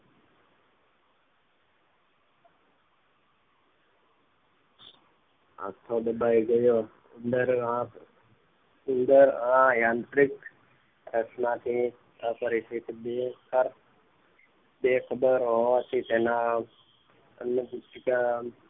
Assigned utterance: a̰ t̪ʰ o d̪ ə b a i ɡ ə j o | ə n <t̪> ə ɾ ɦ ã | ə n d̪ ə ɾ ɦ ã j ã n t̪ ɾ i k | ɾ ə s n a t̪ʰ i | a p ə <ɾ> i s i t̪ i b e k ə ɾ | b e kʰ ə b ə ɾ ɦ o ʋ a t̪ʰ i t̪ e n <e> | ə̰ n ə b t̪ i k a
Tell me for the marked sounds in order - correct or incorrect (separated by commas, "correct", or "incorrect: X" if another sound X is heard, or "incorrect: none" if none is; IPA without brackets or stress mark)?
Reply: incorrect: d̪, correct, incorrect: a